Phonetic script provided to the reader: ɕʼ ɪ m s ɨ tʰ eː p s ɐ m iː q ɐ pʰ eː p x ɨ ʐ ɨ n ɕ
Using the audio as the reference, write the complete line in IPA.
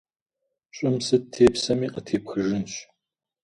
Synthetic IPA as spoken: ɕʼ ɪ m s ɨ tʰ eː p s ɐ m iː q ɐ tʰ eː p x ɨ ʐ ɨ n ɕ